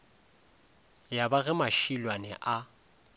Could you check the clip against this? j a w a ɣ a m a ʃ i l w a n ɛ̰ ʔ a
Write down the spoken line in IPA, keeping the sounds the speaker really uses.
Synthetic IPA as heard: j a b a ɣ ɛ m a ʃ i l w a n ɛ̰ ʔ a